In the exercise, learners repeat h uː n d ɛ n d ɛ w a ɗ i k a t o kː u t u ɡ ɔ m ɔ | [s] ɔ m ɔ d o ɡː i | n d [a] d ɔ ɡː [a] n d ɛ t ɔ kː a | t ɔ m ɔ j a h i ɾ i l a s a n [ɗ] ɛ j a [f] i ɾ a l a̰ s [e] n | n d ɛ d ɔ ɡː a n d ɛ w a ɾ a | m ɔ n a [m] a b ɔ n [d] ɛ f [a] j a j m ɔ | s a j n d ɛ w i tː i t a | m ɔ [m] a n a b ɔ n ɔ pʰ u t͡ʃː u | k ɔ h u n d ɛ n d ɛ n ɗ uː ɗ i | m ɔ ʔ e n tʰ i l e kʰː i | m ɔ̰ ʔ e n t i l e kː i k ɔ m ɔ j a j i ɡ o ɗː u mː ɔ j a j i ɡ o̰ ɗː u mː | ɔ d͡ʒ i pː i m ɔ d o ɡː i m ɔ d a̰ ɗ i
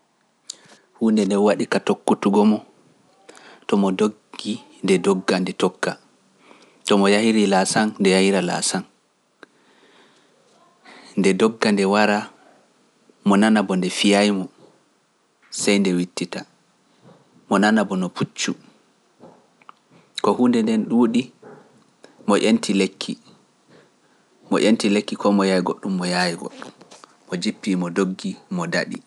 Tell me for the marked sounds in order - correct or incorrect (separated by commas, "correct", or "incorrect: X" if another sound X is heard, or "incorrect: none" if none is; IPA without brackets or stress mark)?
incorrect: t, incorrect: ɛ, correct, incorrect: d, incorrect: h, incorrect: a, incorrect: n, correct, incorrect: i, incorrect: n